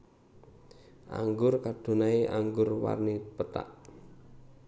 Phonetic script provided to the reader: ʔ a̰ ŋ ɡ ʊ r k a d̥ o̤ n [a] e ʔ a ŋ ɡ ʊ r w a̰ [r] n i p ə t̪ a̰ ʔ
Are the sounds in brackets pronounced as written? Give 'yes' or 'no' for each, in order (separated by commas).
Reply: yes, yes